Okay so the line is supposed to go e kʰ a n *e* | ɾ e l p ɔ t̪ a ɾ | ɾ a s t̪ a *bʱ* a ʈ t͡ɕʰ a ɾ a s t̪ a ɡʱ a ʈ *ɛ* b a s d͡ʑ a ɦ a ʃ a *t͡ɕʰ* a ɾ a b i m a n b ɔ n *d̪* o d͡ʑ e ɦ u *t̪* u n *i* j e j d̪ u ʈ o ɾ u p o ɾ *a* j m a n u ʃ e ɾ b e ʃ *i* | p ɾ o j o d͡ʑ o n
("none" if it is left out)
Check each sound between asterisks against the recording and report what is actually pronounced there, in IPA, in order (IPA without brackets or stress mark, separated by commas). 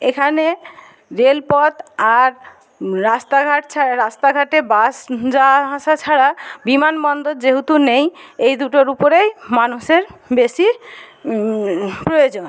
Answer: e, ɡʱ, e, t͡ɕʰ, d̪, t̪, e, e, i